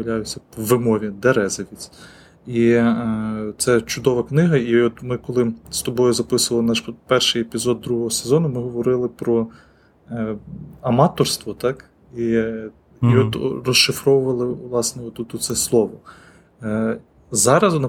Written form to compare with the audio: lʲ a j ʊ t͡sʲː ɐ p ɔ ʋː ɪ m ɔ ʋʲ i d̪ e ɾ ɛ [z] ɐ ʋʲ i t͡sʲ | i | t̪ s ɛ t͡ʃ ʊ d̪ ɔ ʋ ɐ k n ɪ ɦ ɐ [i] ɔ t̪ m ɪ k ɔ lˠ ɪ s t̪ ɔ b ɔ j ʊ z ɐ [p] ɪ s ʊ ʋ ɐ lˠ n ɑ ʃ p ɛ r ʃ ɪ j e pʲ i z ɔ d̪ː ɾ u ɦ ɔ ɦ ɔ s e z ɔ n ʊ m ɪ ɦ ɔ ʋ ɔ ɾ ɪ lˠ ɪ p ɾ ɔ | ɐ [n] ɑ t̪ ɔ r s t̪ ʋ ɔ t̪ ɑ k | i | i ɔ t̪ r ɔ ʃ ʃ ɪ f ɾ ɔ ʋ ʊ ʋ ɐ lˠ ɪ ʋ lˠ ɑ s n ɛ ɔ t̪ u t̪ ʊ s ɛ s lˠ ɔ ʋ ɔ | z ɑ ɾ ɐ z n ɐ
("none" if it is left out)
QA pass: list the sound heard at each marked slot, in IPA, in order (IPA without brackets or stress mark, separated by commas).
z, i, p, m